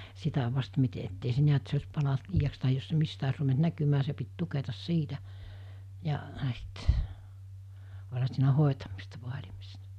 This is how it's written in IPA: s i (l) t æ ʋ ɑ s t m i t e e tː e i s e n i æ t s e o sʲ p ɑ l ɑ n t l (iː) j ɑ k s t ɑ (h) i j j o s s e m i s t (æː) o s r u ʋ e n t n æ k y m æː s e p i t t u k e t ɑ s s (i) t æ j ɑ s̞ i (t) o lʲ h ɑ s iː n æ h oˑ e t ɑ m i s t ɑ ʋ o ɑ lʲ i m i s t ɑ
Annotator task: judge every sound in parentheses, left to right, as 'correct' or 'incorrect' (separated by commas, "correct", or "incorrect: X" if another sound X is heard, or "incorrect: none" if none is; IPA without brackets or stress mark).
incorrect: none, correct, correct, incorrect: æ, incorrect: iː, correct